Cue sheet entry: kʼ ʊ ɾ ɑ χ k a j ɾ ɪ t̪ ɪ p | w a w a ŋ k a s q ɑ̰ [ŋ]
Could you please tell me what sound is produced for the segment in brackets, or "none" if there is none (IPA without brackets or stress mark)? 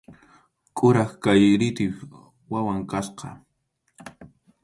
none